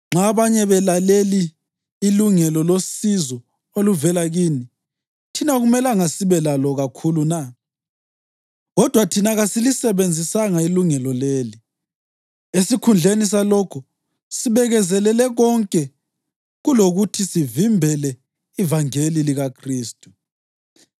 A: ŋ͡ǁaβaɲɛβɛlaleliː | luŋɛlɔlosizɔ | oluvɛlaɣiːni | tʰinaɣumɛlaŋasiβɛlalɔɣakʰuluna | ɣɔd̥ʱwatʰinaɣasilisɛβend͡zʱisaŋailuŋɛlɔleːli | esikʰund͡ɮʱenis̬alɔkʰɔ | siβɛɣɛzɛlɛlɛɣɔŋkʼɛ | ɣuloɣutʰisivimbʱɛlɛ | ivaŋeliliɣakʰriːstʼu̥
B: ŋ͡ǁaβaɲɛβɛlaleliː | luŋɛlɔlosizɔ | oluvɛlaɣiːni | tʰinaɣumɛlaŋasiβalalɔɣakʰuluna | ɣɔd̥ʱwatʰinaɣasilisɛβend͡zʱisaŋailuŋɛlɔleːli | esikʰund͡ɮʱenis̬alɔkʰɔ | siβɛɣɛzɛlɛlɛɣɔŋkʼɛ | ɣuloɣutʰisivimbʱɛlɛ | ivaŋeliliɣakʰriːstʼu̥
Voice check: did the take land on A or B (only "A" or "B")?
A